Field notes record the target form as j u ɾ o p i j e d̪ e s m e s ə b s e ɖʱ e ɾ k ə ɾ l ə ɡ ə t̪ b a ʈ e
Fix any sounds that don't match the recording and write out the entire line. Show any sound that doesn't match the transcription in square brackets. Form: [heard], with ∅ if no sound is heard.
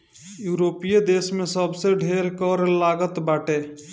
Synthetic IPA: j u ɾ o p i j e d̪ e s m e s ə b s e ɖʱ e ɾ k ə ɾ l [a] ɡ ə t̪ b a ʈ e

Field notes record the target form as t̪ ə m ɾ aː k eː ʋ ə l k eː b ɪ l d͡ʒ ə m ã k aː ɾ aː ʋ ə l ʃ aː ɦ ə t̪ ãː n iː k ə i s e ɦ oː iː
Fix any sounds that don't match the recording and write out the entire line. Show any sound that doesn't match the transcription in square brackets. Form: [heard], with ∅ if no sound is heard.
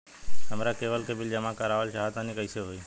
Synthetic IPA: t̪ ə m ɾ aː k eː ʋ ə l k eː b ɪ l d͡ʒ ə m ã k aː ɾ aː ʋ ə l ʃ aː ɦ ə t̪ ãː n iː k ə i s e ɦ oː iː

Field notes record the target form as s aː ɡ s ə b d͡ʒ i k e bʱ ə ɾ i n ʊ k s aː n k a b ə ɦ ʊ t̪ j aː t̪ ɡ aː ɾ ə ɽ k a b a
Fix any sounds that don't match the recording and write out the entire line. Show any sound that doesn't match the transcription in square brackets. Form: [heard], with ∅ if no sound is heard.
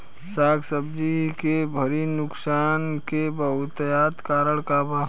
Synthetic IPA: s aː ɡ s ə b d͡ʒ i k e bʱ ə ɾ i n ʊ k s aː n k [e] b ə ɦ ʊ t̪ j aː t̪ [k] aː ɾ ə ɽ k a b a

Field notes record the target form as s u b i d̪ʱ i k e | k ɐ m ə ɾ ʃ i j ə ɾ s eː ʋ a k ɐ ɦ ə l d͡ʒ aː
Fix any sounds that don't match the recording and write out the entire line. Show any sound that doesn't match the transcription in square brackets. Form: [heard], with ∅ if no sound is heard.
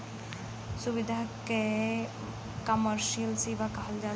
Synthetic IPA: s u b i d̪ʱ [a] k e | k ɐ m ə ɾ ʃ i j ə [l] s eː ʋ a k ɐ ɦ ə l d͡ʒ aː

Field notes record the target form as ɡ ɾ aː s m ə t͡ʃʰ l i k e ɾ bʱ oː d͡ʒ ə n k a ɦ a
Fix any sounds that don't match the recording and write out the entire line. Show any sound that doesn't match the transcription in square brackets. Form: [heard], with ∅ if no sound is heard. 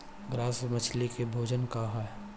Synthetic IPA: ɡ ɾ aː s m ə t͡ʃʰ l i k e [∅] bʱ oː d͡ʒ ə n k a ɦ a

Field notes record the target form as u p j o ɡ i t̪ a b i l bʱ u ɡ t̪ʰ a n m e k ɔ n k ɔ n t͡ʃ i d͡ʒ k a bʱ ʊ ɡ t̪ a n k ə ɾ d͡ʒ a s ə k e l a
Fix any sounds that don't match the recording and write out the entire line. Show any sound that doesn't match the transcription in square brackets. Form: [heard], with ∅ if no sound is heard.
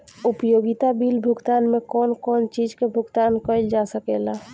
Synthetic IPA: u p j o ɡ i t̪ a b i l bʱ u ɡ [t̪] a n m e k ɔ n k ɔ n t͡ʃ i d͡ʒ k [e] bʱ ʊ ɡ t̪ a n k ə [l] d͡ʒ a s ə k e l a

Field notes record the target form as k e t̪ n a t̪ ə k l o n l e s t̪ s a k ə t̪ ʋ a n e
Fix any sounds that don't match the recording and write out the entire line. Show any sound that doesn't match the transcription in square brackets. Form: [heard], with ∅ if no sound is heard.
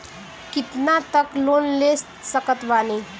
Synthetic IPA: k [i] t̪ n a t̪ ə k l o n l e s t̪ s [ə] k ə t̪ ʋ a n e

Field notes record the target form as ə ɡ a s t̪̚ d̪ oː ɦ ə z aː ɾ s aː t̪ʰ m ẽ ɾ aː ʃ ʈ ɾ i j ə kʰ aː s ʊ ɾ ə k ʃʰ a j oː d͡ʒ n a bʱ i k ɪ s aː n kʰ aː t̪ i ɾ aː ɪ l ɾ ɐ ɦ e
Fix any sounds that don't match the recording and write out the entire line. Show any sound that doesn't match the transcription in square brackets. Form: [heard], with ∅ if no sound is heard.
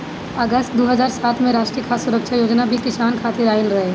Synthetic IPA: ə ɡ [ə] s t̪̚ d̪ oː ɦ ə z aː ɾ s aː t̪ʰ m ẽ ɾ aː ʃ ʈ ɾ i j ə kʰ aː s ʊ ɾ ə k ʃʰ a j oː d͡ʒ n a bʱ i k ɪ s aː n kʰ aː t̪ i ɾ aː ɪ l ɾ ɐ ɦ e

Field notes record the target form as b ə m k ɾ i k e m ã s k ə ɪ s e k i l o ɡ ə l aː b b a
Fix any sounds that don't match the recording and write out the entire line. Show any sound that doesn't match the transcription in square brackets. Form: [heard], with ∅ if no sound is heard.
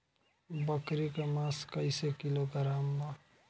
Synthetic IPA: b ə [∅] k ɾ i k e m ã s k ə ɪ s e k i l o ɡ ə [ɾ] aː [m] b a

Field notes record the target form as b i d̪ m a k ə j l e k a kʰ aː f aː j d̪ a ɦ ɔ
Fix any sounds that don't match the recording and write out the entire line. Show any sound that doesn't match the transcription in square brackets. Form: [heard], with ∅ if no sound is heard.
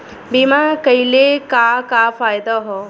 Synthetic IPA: b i [∅] m a k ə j l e k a [k] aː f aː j d̪ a ɦ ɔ

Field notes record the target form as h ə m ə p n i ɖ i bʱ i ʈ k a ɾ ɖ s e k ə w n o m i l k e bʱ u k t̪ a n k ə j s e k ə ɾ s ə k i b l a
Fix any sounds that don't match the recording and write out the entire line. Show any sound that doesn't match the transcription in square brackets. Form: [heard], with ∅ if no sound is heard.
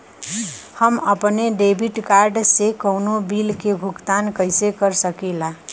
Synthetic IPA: h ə m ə p n [e] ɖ [e] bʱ i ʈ k a ɾ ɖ s e k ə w n o [b] i l k e bʱ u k t̪ a n k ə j s e k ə ɾ s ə k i [∅] l a

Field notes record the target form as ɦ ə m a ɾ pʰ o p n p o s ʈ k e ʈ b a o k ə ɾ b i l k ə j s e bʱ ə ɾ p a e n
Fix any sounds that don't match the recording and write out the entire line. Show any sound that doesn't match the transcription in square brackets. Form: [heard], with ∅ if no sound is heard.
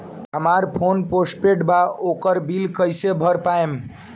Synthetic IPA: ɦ ə m a ɾ pʰ o [∅] n p o s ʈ [p] e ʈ b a o k ə ɾ b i l k ə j s e bʱ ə ɾ p a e [m]

